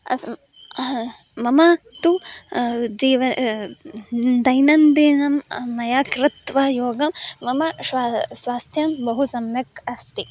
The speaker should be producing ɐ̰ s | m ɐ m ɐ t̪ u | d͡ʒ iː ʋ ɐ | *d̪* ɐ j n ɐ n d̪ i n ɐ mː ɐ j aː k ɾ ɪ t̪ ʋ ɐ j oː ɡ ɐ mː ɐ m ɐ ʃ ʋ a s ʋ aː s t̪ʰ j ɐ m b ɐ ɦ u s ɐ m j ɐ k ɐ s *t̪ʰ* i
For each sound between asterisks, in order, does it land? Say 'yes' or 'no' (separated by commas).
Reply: yes, no